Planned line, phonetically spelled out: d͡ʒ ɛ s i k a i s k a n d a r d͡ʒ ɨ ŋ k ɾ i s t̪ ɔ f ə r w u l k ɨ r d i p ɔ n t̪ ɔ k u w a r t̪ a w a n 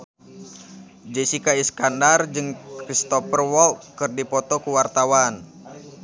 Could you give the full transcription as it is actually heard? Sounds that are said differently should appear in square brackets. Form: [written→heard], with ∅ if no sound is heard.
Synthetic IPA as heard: d͡ʒ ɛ s i k a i s k a n d a r d͡ʒ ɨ ŋ k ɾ i s t̪ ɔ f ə r w [u→ɔ] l k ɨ r d i p ɔ [n→∅] t̪ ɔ k u w a r t̪ a w a n